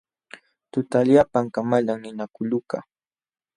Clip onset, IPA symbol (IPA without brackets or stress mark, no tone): t̪